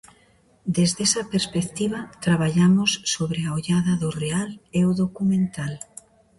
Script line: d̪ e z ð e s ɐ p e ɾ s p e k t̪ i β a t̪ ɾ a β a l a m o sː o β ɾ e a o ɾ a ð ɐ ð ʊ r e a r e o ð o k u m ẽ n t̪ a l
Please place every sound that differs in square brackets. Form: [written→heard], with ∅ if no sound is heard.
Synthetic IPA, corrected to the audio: d̪ e z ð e s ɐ p e ɾ s p e k t̪ i β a t̪ ɾ a β a [l→ʎ] a m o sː o β ɾ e a o [ɾ→ʎ] a ð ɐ ð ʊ r e a [r→l] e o ð o k u m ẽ n t̪ a l